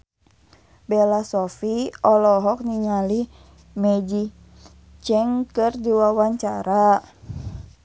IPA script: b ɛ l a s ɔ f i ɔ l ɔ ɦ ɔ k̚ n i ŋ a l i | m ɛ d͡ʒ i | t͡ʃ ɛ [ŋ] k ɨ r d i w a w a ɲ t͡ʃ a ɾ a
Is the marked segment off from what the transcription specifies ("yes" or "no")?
no